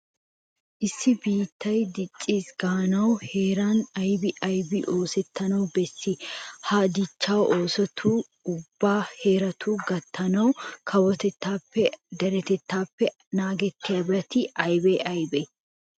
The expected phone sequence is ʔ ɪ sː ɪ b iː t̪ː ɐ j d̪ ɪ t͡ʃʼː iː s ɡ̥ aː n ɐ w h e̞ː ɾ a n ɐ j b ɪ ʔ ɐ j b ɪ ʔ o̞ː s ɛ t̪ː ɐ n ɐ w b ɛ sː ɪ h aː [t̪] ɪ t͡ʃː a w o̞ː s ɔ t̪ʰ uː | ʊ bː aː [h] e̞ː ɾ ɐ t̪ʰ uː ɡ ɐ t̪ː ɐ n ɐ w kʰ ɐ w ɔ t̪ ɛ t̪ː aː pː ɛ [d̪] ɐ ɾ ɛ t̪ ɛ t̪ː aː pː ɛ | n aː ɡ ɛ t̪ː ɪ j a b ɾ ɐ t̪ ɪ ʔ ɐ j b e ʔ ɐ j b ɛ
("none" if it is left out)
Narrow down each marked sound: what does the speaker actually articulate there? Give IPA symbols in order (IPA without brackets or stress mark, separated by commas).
d̪, h, d̪